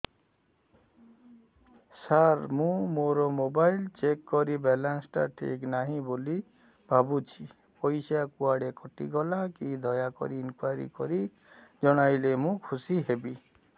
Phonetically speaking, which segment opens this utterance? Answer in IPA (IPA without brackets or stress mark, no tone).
s